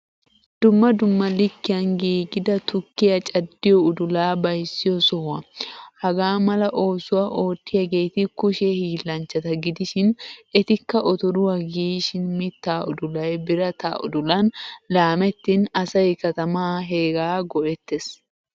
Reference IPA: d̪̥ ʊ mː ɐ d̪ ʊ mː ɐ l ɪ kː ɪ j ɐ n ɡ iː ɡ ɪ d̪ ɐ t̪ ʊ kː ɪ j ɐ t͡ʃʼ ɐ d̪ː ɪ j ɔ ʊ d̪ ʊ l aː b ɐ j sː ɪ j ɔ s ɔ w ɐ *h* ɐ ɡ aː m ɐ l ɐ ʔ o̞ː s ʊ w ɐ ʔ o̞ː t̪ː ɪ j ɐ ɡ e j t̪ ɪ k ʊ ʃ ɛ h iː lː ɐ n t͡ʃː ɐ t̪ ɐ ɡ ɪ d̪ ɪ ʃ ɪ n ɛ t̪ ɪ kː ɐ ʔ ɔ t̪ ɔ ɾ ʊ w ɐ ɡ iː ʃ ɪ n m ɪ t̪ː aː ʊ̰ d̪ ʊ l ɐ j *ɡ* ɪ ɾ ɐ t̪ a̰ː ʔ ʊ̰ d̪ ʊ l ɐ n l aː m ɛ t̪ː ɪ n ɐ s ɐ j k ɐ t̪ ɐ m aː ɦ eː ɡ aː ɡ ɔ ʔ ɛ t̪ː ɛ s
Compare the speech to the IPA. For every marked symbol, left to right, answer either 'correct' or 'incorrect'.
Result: correct, incorrect: b

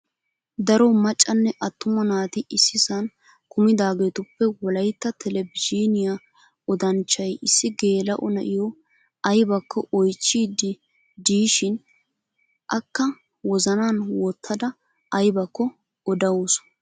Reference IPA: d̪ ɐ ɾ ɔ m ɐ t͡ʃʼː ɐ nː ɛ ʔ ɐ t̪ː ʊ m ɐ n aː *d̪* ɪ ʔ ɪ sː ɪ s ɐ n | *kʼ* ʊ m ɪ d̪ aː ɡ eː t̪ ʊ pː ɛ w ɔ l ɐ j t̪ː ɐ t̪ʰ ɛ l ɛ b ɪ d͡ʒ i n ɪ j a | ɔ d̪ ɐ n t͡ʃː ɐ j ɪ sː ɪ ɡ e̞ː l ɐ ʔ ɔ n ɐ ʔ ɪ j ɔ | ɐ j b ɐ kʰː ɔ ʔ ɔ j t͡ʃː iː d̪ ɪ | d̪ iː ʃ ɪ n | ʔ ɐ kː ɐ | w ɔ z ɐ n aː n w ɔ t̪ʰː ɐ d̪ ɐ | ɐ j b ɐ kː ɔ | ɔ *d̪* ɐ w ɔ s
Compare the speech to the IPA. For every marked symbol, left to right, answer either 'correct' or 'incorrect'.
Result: incorrect: t̪, incorrect: k, correct

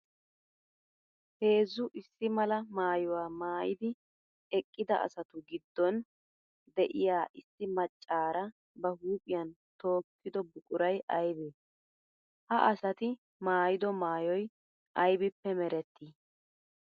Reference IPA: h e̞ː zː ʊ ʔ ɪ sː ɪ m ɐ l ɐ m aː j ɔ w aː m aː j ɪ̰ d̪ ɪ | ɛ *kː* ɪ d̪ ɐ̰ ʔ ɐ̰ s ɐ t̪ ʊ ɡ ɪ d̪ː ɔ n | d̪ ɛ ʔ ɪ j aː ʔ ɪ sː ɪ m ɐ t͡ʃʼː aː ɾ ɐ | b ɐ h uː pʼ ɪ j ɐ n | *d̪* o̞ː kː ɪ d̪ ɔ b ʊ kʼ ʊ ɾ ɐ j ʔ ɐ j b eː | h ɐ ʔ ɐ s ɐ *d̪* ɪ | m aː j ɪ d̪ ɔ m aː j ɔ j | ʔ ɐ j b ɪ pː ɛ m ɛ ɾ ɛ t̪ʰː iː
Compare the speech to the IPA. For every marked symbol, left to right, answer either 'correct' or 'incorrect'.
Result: incorrect: kʼː, incorrect: t̪, incorrect: t̪

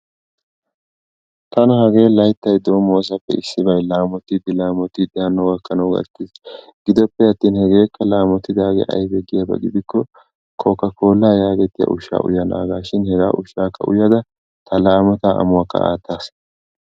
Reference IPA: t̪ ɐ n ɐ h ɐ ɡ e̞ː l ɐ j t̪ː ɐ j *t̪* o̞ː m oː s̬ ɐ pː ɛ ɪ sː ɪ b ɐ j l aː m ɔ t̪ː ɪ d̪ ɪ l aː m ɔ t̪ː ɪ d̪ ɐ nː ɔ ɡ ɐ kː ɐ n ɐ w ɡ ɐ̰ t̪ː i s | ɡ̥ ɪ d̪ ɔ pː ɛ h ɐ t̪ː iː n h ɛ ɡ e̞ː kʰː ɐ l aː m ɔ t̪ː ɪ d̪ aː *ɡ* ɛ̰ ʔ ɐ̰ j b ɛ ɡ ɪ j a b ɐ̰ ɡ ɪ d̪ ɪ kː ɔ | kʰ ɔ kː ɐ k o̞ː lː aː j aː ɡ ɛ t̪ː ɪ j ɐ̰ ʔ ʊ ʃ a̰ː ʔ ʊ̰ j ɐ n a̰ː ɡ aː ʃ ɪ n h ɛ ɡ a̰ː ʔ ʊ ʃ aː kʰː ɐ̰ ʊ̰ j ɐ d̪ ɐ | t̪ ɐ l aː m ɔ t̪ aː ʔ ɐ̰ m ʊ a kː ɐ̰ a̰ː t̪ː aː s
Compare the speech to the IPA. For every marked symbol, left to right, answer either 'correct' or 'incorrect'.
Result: incorrect: d̪, correct

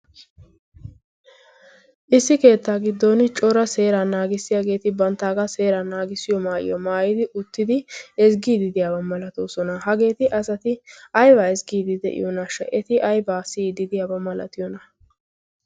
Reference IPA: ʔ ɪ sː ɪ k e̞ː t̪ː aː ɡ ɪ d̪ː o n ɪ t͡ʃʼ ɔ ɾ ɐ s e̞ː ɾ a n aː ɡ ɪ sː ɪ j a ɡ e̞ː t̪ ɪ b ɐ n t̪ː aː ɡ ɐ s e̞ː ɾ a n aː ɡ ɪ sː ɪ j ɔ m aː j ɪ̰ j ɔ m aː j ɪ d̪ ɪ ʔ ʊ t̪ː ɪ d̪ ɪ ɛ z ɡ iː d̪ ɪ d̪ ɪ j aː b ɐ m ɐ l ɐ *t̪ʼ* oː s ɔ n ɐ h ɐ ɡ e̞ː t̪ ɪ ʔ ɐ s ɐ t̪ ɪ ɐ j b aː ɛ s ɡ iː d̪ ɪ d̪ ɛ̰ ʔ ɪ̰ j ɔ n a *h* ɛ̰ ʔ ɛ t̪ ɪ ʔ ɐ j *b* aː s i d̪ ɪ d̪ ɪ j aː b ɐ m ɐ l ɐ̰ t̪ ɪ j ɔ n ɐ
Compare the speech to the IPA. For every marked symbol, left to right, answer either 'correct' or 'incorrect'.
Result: incorrect: t̪, incorrect: ʃ, correct

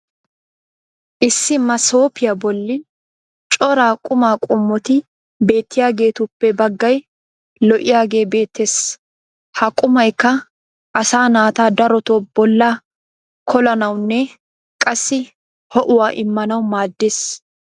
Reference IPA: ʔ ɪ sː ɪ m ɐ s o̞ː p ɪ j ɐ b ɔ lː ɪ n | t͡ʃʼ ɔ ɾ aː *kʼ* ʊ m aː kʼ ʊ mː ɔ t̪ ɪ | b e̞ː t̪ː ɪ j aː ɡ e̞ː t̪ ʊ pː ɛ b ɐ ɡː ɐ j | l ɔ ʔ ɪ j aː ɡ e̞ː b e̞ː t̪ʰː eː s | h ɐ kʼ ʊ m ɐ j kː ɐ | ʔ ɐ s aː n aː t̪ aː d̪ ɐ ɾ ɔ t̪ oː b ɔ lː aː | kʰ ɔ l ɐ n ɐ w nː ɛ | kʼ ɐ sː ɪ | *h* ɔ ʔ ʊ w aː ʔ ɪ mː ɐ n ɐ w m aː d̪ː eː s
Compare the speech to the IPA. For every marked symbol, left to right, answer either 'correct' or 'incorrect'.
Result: correct, correct

